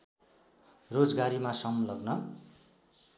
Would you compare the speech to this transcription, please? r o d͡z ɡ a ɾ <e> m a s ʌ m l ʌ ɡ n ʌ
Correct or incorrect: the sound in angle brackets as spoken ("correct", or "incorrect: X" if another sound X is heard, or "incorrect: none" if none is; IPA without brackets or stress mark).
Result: incorrect: i